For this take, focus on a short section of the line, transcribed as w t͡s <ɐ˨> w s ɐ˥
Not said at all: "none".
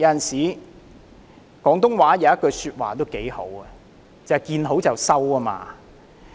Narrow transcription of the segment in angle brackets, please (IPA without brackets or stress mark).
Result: ɐ˨